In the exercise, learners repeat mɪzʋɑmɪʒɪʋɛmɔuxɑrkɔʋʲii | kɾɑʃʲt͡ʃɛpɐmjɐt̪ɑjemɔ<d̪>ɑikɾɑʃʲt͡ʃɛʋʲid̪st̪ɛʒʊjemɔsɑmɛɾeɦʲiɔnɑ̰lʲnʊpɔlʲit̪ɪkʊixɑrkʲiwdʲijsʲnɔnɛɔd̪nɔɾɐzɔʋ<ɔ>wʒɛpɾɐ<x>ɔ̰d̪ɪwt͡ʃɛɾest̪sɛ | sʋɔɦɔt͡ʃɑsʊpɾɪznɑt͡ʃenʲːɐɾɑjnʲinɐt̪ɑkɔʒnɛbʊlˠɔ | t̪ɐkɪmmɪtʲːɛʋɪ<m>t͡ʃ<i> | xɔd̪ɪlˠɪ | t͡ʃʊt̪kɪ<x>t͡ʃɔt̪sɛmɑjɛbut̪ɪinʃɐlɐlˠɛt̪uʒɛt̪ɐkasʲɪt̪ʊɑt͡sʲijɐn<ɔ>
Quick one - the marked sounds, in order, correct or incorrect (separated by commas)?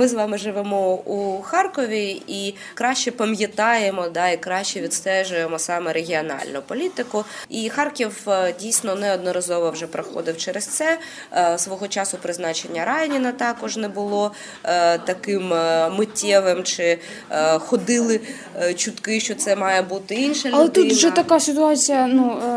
correct, correct, correct, correct, incorrect, incorrect, incorrect